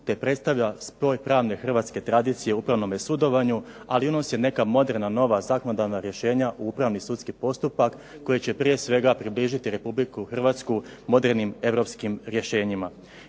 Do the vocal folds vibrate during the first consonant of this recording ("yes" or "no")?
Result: no